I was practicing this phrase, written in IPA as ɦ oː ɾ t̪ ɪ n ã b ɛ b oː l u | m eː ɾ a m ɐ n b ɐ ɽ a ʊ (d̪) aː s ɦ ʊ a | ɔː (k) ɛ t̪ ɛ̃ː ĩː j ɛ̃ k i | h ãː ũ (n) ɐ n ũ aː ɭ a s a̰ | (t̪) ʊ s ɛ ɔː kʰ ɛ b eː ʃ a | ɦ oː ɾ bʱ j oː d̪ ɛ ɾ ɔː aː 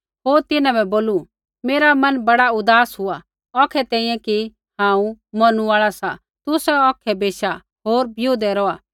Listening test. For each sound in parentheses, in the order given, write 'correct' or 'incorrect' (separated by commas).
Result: correct, incorrect, incorrect, correct